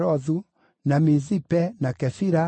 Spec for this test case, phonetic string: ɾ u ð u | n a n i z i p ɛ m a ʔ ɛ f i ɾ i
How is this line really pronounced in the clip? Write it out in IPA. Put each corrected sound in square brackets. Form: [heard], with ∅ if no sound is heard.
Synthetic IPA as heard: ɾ [ɔ] ð u | n a [m] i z i p ɛ [n] a [k] ɛ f i ɾ [a]